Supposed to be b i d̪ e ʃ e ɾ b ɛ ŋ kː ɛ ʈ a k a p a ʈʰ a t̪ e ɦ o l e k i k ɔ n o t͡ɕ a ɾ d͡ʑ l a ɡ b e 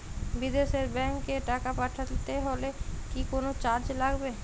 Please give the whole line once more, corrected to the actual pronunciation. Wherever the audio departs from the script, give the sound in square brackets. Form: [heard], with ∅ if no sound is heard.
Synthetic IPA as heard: b i d̪ e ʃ e ɾ b ɛ ŋ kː [e] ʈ a k a p a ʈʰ a t̪ e ɦ o l e k i k [o] n o t͡ɕ a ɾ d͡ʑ l a ɡ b e